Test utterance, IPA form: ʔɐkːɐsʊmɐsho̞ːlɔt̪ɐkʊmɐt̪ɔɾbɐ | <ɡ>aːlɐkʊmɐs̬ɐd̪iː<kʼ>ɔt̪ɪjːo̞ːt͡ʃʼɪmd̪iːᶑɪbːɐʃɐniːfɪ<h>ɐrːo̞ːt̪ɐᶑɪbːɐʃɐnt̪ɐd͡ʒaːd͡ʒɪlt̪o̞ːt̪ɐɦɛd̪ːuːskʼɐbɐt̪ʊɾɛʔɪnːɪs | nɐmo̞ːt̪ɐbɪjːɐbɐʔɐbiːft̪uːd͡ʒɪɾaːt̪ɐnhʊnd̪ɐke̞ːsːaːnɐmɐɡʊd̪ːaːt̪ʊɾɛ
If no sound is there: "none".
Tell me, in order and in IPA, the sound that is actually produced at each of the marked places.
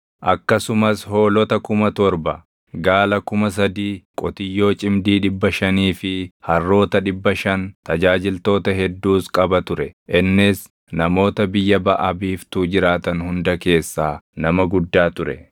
ɡ, kʼ, h

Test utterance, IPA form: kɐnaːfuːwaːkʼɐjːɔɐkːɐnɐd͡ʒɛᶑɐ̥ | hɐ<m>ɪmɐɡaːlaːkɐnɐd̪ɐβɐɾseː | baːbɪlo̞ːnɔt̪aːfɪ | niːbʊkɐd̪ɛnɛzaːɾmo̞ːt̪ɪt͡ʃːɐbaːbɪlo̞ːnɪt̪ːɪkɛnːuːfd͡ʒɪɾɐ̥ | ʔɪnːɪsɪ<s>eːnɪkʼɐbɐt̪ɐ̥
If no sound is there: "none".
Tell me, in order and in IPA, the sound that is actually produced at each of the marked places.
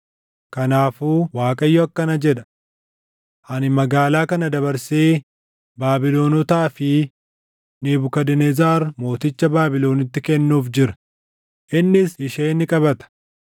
n, ʃ

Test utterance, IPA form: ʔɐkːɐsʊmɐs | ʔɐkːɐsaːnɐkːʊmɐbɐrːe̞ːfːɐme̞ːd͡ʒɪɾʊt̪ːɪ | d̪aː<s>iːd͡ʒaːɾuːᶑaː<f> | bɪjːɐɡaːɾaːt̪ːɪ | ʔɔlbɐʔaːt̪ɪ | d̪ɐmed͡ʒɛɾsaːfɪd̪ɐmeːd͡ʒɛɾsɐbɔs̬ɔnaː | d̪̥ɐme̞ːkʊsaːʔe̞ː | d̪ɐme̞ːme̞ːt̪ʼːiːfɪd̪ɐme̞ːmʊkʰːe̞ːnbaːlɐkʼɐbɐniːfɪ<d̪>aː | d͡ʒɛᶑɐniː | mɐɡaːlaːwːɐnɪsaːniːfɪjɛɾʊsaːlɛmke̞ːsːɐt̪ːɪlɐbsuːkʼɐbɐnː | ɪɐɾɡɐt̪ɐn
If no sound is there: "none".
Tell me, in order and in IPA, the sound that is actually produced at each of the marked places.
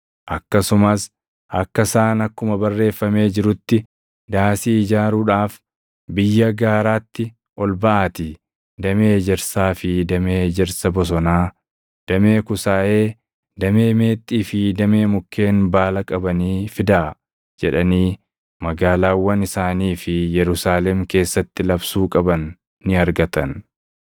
s, f, d̪

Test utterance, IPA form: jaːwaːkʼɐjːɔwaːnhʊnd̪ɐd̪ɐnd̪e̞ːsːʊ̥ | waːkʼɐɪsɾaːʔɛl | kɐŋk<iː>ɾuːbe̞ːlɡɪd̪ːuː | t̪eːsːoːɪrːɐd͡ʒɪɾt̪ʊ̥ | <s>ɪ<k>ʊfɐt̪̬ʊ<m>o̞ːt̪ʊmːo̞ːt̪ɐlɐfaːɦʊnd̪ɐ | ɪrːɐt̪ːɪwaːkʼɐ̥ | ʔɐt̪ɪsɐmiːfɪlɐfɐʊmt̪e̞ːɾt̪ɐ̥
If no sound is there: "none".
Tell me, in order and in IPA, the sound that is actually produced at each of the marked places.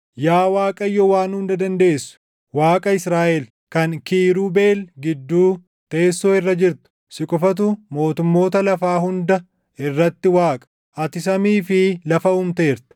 iː, s, kʼ, m

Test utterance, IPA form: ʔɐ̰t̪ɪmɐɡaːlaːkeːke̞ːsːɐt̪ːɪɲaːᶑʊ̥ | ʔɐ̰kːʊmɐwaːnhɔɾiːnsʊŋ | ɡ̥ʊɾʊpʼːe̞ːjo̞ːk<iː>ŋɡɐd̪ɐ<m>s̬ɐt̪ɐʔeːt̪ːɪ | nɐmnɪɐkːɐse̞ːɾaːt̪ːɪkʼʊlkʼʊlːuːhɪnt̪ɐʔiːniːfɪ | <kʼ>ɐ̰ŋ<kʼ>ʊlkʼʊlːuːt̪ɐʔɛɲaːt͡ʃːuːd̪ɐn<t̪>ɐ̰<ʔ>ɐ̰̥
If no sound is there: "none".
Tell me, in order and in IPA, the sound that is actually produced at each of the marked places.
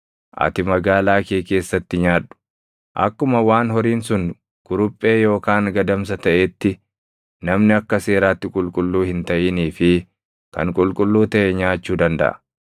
aː, m, k, kʼ, d̪, ʔ

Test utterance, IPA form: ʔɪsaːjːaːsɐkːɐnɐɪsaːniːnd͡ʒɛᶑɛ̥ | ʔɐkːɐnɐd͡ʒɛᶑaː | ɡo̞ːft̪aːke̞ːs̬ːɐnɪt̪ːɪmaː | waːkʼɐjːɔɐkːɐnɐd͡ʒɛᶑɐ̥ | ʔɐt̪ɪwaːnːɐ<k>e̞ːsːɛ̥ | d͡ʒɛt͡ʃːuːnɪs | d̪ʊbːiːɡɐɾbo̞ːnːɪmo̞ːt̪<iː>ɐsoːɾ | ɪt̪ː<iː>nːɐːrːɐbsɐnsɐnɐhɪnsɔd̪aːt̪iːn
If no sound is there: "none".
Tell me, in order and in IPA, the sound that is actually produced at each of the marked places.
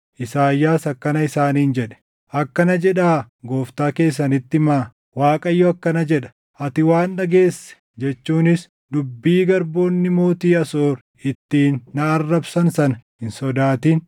ɡ, iː, iː

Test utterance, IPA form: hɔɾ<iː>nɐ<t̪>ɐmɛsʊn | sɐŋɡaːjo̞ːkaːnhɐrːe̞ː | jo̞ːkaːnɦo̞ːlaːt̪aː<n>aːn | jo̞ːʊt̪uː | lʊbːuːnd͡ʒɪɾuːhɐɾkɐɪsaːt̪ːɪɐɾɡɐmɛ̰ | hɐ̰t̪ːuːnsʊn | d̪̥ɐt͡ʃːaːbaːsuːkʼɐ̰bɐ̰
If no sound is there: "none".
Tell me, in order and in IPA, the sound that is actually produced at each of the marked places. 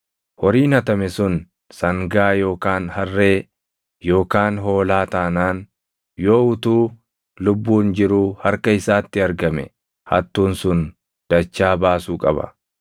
iː, t̪, n

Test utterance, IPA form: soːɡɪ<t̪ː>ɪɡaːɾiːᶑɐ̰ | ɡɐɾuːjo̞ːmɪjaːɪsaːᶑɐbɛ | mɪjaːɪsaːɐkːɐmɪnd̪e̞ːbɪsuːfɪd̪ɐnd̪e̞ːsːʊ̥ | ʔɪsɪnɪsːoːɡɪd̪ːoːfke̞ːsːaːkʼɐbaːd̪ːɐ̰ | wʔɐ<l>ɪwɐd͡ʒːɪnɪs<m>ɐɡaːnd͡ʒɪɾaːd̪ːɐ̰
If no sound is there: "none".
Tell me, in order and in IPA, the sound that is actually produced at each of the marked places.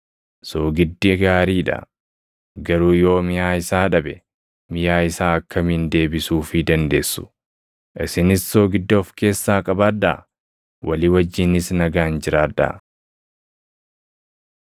d̪ː, l, n

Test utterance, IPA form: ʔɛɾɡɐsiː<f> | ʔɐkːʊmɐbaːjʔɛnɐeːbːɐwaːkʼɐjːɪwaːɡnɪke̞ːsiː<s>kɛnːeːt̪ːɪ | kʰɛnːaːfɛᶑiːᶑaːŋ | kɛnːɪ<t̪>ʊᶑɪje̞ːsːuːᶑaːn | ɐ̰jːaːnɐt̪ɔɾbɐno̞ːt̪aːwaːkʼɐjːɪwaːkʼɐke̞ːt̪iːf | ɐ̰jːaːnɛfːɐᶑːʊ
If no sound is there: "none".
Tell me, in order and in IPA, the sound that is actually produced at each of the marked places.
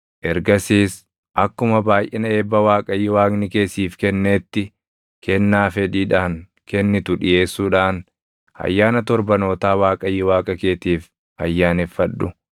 s, f, t̪

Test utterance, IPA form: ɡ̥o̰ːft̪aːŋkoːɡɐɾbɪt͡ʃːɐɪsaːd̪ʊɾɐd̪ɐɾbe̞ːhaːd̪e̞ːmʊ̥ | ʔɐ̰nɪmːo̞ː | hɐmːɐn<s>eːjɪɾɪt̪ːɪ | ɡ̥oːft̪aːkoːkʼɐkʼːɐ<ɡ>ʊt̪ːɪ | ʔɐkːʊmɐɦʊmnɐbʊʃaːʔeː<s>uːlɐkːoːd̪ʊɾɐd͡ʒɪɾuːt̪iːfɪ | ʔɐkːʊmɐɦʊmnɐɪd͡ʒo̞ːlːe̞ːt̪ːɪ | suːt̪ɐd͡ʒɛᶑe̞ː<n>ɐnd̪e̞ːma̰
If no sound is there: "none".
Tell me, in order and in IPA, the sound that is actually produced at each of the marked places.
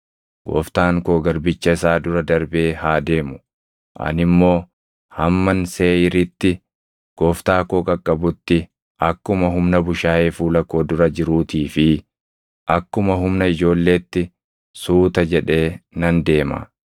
s, b, f, n

